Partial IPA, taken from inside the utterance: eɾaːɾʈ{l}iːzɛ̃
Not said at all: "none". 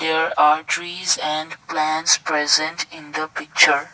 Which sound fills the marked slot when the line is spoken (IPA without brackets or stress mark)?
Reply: ɾ